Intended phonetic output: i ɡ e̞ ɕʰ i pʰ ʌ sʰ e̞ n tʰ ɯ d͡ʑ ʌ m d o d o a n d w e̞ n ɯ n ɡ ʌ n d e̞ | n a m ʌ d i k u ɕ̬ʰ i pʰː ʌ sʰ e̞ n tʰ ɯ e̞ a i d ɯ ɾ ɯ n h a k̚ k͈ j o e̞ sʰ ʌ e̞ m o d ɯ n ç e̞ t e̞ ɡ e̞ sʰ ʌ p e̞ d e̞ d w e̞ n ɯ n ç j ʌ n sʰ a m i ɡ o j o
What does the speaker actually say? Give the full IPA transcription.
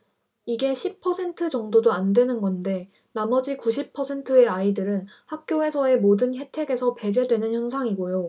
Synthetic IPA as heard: i ɡ e̞ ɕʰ i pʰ ʌ sʰ e̞ n tʰ ɯ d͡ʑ ʌ ŋ d o d o a n d w e̞ n ɯ n ɡ ʌ n d e̞ | n a m ʌ d͡ʑ i k u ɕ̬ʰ i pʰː ʌ sʰ e̞ n tʰ ɯ e̞ a i d ɯ ɾ ɯ n h a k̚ k͈ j o e̞ sʰ ʌ e̞ m o d ɯ n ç e̞ tʰ e̞ ɡ e̞ sʰ ʌ p e̞ d͡ʑ e̞ d w e̞ n ɯ n ç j ʌ n sʰ a ŋ i ɡ o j o